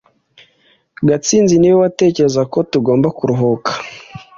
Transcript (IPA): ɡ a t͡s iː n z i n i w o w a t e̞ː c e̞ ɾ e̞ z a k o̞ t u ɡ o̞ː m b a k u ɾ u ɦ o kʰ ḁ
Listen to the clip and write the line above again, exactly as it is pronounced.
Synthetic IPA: ɡ a t͡s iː n z i n i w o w a t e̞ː c e̞ ɾ e̞ z a k o̞ t u ɡ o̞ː m b a k u ɾ u ɦ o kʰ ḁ